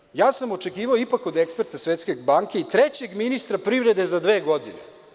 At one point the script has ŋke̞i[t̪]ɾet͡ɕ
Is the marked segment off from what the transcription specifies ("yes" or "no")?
no